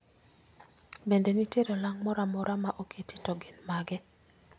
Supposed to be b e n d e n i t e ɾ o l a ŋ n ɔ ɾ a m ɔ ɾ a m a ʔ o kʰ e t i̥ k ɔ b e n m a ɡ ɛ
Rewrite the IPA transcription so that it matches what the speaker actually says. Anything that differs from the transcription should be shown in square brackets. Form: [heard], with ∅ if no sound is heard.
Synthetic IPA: b e n d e n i t e ɾ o l a ŋ [m] ɔ ɾ a m ɔ ɾ a m a ʔ o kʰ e t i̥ [t] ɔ [ɡ] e n m a ɡ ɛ